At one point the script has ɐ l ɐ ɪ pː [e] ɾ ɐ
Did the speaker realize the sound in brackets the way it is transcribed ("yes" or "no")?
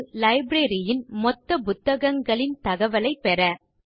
no